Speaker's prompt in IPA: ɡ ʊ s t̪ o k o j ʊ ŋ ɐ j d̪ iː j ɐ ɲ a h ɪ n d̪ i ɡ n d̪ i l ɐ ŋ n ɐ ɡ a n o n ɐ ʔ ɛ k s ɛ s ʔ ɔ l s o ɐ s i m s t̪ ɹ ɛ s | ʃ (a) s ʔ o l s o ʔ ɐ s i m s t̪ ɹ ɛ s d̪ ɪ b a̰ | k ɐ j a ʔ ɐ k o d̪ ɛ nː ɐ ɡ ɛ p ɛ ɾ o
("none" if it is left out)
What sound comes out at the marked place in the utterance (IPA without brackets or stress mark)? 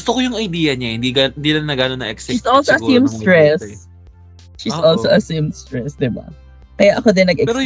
i